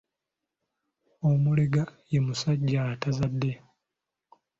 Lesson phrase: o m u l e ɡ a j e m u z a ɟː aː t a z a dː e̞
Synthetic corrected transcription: o m u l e ɡ a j e m u s a ɟː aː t a z a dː e̞

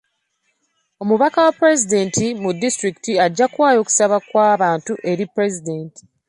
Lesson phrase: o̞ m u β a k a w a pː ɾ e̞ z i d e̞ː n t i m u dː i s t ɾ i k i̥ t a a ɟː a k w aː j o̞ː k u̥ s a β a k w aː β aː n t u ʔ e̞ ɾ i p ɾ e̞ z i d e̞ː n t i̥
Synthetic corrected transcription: o̞ m u β a k a w a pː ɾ e̞ z i d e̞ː n t i m u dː i s t ɾ i k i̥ t i a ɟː a k w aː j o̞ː k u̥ s a β a k w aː β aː n t u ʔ e̞ ɾ i p ɾ e̞ z i d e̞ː n t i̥

